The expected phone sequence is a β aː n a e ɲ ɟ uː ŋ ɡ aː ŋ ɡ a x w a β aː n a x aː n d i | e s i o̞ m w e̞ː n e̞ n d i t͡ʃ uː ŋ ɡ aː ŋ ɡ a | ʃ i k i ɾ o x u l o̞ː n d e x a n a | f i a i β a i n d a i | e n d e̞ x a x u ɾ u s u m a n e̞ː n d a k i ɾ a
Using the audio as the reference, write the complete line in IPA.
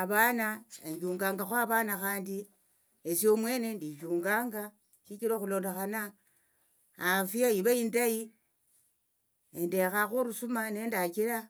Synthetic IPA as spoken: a β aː n a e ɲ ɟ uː ŋ ɡ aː ŋ ɡ a x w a β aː n a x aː n d i | e s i o̞ m w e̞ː n e̞ n d i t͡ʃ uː ŋ ɡ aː ŋ ɡ a | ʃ i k i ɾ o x u l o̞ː n d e x a n a | f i a i β a i n d a i | e n d e̞ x a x u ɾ u s u m a n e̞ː n d a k i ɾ a